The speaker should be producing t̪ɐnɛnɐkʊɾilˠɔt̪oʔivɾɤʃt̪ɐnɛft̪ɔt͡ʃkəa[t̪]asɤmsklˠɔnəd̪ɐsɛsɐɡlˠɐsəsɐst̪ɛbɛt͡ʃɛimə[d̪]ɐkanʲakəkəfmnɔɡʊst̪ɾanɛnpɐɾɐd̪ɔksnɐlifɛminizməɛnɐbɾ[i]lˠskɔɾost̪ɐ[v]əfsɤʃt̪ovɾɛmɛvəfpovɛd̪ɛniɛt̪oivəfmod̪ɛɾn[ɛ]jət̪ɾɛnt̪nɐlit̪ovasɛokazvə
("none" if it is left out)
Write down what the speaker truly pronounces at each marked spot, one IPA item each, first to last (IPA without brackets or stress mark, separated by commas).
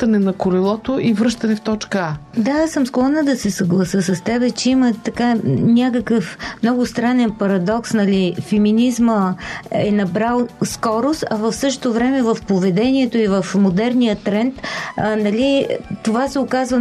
d̪, t̪, a, v, i